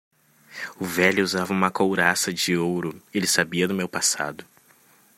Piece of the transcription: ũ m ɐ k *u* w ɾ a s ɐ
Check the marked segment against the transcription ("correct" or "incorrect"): incorrect